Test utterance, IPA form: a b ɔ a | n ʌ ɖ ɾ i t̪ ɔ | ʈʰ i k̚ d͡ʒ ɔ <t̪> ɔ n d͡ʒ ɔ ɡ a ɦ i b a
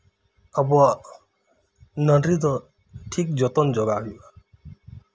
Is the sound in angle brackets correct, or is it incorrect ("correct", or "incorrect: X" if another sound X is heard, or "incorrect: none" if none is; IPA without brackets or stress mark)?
correct